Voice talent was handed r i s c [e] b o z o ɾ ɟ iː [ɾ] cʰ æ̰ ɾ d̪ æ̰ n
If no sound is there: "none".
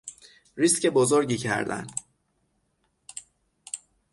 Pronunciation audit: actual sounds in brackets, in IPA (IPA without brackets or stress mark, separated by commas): e, none